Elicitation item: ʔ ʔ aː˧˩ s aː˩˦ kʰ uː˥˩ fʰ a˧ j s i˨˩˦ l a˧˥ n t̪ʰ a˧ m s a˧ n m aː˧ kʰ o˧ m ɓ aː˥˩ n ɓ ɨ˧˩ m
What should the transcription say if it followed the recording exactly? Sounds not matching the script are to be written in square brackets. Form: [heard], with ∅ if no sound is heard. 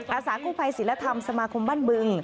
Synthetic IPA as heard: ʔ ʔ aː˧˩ s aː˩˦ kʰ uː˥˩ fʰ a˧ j s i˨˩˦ l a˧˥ [∅] t̪ʰ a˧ m s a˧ [∅] m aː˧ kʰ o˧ m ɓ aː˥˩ n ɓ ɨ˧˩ [ŋ]

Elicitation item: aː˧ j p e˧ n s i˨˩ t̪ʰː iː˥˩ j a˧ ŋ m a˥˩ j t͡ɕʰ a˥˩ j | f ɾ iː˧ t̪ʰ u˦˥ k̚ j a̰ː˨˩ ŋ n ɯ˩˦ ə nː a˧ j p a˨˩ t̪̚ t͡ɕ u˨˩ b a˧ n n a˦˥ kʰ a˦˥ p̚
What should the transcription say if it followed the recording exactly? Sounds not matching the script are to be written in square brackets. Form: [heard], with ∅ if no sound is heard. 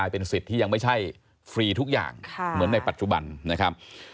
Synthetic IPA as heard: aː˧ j p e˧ n s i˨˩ t̪ʰː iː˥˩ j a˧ ŋ m a˥˩ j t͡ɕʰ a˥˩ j | f ɾ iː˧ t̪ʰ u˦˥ k̚ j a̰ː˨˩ ŋ [m] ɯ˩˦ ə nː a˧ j p a˨˩ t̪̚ t͡ɕ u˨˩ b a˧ n n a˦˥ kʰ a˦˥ p̚

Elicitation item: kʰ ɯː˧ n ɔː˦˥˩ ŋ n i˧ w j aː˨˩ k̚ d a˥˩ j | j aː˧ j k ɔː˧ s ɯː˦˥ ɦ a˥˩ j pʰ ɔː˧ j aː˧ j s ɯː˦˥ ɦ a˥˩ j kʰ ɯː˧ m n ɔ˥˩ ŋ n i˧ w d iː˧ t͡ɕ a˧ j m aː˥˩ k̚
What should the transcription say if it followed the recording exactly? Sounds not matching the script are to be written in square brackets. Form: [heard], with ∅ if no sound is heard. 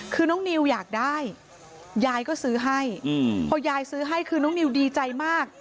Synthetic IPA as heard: kʰ ɯː˧ n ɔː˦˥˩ ŋ n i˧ w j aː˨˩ k̚ d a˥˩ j | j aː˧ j k [ɔː˥˩] s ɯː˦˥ ɦ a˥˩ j pʰ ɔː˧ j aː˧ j s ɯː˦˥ ɦ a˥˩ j kʰ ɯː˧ [∅] n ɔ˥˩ ŋ n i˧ w d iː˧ t͡ɕ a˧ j m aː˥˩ k̚

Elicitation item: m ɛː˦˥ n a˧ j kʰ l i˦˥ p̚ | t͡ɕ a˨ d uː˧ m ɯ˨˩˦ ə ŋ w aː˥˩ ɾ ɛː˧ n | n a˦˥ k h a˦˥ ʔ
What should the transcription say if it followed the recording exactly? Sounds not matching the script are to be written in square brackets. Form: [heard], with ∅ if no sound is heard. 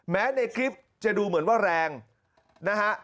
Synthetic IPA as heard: m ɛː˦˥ n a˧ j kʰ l i˦˥ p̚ | t͡ɕ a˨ d uː˧ m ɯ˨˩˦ ə [n] w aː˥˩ ɾ ɛː˧ [ŋ] | n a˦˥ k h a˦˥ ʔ

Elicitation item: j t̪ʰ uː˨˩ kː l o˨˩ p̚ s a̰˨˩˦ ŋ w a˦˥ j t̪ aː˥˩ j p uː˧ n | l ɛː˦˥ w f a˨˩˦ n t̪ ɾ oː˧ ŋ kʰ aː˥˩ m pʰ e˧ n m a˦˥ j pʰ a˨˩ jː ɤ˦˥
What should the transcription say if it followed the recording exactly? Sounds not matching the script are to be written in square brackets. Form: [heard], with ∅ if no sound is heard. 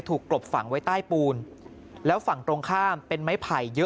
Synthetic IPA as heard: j t̪ʰ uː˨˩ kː l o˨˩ p̚ [f] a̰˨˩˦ ŋ w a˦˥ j t̪ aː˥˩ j p uː˧ n | l ɛː˦˥ w f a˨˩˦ [ŋ] t̪ ɾ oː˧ ŋ kʰ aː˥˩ m [p] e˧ n m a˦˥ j pʰ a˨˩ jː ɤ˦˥

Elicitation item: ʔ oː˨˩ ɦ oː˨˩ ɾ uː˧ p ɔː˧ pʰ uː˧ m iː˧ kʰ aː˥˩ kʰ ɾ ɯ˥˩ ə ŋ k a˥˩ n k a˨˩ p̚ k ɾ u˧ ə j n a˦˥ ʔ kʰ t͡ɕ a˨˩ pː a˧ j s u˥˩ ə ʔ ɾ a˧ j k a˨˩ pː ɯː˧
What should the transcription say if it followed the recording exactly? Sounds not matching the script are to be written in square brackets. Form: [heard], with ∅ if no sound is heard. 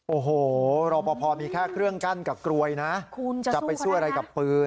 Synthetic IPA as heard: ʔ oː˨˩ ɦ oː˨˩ ɾ [ɔː˧] p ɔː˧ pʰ [ɔː˧] m iː˧ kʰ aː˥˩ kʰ ɾ ɯ˥˩ ə ŋ k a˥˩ n k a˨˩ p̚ k ɾ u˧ ə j n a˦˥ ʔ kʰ t͡ɕ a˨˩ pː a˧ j s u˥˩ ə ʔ ɾ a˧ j k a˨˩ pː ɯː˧

